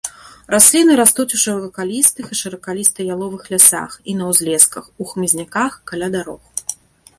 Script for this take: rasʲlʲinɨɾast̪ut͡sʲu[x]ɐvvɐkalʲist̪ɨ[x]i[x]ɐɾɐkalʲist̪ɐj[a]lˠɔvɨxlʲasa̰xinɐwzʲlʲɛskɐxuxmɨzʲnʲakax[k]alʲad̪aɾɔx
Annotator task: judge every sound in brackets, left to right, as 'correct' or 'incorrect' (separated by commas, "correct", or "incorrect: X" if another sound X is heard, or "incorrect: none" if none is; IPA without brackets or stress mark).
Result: incorrect: ʂ, correct, incorrect: ʂ, correct, correct